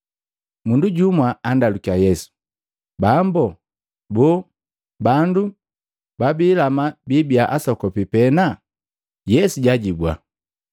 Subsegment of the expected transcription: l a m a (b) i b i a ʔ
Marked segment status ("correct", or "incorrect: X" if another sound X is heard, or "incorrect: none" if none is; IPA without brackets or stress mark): correct